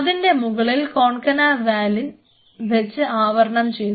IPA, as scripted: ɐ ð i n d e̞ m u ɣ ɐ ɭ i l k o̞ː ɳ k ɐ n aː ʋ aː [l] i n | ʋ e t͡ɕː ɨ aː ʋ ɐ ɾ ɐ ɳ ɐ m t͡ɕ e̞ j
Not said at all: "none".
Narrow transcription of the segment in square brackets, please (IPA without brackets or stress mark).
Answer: l